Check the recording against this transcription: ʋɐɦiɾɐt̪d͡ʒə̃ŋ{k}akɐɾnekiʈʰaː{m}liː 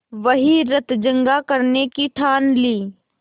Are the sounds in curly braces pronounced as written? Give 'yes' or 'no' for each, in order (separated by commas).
no, no